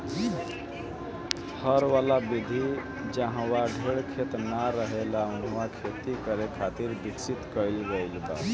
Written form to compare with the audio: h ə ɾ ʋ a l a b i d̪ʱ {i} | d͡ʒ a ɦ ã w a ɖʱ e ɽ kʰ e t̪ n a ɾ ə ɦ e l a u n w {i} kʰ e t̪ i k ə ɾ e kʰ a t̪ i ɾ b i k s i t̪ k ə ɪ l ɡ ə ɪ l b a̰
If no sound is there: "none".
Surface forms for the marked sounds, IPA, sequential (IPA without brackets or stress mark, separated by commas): i, a